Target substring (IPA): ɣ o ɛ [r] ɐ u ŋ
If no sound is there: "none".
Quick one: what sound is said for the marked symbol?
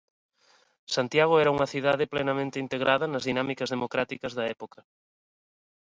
ɾ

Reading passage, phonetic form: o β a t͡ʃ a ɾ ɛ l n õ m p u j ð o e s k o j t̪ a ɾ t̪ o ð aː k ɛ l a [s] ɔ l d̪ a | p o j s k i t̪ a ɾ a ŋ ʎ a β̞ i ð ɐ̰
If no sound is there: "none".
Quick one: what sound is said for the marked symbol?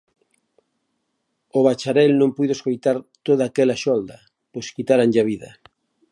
ʃ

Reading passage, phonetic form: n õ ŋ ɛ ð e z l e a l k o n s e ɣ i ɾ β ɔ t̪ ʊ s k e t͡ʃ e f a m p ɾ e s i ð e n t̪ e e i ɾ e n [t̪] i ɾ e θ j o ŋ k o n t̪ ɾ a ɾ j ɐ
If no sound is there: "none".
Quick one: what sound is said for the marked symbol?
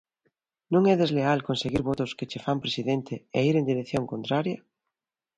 d̪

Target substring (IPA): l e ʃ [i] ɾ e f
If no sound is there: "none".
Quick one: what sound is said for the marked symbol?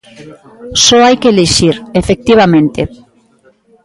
i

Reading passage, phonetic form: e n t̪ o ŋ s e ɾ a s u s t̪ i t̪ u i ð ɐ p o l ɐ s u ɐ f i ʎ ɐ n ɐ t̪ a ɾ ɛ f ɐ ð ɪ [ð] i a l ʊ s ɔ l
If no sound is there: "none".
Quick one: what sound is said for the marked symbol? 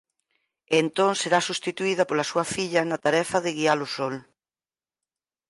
ɣ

